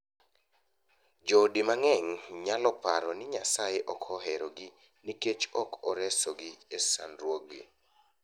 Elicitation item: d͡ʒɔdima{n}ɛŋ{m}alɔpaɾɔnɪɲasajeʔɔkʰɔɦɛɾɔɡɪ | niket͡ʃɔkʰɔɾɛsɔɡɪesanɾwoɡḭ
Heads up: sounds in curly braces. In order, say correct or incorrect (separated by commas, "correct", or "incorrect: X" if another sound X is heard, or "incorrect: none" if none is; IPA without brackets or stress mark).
incorrect: ŋ, incorrect: ɲ